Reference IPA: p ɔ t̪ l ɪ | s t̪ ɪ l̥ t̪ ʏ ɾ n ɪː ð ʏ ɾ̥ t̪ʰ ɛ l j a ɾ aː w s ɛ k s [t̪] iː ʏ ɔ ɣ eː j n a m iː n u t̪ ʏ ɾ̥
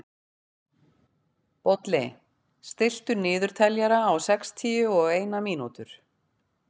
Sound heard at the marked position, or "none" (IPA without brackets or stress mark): t̪ʰ